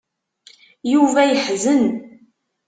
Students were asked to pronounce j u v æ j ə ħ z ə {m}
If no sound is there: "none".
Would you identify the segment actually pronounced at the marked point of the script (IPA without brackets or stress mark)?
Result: n